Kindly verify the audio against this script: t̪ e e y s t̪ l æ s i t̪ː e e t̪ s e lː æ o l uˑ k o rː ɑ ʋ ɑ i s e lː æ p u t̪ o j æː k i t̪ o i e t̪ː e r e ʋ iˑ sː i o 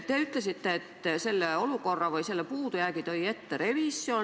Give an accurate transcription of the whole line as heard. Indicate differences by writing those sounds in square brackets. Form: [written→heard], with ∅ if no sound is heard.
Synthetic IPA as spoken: t̪ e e y [s→∅] t̪ l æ s i t̪ː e e t̪ s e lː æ o l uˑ k o rː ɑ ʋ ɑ i s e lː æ p [u→uː] t̪ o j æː k i t̪ o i e t̪ː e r e ʋ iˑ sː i o